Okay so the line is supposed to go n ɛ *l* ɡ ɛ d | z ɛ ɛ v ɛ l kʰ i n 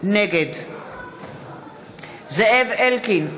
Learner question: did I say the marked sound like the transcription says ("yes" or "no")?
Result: no